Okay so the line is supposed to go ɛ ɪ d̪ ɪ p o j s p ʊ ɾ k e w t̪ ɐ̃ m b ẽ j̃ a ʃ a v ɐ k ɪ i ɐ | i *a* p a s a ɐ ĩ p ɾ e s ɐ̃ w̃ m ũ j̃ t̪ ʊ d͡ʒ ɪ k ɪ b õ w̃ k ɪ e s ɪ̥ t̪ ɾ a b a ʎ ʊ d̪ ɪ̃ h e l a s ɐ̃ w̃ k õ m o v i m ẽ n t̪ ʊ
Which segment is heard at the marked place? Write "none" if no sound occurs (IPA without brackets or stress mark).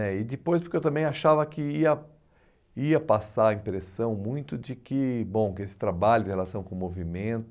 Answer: ɐ